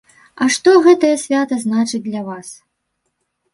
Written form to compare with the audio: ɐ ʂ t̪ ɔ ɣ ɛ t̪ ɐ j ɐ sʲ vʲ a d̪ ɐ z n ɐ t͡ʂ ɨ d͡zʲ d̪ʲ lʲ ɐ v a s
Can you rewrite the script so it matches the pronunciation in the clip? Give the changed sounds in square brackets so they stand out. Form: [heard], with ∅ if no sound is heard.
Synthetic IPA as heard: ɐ ʂ t̪ ɔ ɣ ɛ t̪ ɐ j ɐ sʲ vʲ a [t̪] ɐ z n [a] t͡ʂ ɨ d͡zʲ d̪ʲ lʲ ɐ v a s